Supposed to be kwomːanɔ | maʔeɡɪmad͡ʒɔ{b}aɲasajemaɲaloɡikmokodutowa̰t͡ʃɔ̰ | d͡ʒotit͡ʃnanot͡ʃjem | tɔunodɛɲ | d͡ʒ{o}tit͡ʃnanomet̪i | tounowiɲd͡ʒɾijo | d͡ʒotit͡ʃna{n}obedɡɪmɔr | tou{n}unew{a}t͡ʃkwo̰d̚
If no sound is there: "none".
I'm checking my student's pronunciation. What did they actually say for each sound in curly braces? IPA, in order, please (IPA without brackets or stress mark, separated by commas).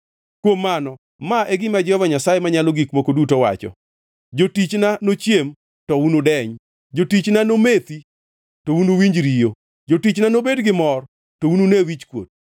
v, o, n, n, i